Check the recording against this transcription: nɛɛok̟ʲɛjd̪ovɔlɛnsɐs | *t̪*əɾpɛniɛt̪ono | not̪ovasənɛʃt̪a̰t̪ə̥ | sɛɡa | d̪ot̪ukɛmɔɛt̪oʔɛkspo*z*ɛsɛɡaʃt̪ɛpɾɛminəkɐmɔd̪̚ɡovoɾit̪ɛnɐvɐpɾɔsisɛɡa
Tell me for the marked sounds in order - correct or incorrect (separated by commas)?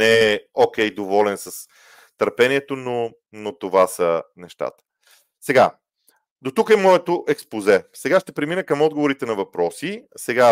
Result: correct, correct